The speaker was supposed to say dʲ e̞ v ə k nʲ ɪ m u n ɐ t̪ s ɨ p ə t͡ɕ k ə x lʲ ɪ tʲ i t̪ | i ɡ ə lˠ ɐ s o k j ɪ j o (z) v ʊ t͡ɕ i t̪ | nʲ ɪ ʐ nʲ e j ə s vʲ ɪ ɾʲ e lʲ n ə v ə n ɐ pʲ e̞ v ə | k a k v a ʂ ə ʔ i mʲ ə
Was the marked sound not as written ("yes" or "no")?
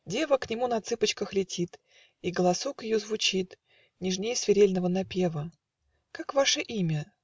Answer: no